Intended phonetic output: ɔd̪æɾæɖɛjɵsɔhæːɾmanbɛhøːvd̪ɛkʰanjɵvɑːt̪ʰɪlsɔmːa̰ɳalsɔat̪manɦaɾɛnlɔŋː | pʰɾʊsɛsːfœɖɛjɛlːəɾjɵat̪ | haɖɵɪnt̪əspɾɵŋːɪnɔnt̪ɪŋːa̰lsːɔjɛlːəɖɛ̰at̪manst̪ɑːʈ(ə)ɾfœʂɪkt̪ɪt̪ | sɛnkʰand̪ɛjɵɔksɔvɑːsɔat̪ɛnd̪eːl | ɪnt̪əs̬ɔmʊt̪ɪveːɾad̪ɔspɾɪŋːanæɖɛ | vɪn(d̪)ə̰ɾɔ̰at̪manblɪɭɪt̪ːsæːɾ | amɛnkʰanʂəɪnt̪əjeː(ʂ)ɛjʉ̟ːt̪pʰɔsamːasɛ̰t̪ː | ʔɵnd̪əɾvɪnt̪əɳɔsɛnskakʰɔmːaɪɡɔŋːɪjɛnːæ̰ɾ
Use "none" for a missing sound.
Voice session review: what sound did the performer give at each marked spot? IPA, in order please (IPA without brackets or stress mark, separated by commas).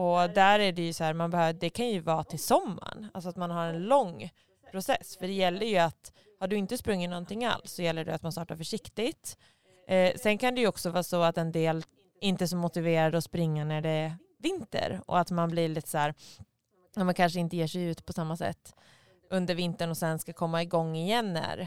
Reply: a, t̪, ʂ